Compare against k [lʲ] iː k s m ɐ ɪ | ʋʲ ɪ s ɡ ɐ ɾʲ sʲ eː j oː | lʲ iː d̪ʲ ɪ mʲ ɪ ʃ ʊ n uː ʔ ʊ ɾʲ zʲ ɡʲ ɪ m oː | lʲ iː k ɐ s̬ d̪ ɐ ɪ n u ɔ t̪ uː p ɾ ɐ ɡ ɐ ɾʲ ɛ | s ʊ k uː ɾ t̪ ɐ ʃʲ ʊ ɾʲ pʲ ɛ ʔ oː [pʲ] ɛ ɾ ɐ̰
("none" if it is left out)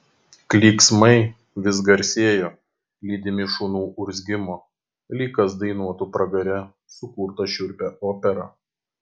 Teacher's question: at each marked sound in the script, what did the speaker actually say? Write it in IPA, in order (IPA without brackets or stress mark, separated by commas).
lʲ, pʲ